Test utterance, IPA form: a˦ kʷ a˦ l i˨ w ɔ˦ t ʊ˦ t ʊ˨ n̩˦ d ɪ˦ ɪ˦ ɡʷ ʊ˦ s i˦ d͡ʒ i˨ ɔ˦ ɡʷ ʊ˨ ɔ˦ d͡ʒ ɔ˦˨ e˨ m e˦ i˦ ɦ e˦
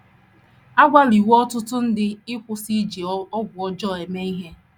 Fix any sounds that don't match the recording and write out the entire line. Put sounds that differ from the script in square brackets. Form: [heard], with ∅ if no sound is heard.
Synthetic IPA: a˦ [ɡʷ] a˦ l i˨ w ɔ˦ t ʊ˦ t [ʊ˦] n̩˦ d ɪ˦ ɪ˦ [kʷ] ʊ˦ s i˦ d͡ʒ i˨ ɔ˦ ɡʷ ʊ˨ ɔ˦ d͡ʒ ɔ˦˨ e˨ m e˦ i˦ ɦ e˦